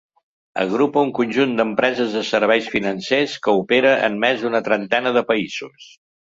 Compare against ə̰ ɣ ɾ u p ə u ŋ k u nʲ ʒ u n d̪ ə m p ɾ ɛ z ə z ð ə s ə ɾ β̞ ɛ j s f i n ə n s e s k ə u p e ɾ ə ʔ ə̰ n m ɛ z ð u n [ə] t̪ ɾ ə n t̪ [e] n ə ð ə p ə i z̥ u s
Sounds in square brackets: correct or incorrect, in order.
correct, incorrect

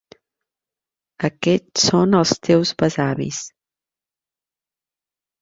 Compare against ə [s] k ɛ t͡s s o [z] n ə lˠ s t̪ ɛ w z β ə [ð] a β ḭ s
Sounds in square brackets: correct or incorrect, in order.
incorrect, incorrect, incorrect

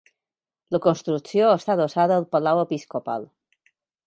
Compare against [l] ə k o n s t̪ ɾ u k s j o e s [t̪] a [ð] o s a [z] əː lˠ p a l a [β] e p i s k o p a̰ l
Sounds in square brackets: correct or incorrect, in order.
correct, correct, correct, incorrect, incorrect

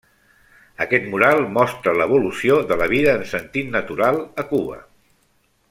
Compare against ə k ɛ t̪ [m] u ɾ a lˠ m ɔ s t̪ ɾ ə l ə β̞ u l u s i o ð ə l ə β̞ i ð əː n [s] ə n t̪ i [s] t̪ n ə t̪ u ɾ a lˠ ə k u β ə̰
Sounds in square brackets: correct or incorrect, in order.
correct, correct, incorrect

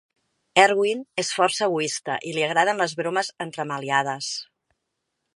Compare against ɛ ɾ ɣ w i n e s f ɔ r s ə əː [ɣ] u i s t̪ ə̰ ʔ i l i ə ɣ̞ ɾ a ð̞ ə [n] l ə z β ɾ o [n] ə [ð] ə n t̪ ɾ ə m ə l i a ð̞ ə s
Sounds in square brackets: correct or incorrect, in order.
correct, correct, incorrect, incorrect

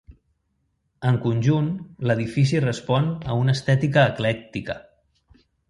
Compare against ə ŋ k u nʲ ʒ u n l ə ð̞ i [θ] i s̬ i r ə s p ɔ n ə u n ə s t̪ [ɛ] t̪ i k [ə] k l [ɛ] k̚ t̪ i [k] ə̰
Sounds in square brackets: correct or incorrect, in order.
incorrect, correct, incorrect, correct, correct

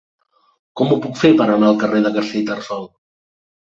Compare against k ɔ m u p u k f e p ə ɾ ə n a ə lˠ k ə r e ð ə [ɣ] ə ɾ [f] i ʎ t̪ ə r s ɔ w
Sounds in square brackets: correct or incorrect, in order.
correct, incorrect

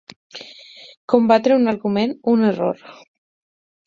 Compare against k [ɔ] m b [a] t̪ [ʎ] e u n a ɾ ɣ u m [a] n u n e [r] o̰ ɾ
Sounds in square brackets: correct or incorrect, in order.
incorrect, correct, incorrect, incorrect, correct

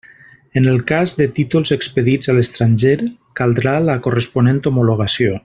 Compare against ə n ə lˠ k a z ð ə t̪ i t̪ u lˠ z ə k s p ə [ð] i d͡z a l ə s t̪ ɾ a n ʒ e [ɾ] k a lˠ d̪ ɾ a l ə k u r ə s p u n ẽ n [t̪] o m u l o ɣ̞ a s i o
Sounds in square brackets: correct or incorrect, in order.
correct, correct, correct

